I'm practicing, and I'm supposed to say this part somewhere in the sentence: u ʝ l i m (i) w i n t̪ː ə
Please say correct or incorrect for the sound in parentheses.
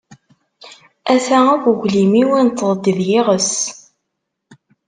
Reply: correct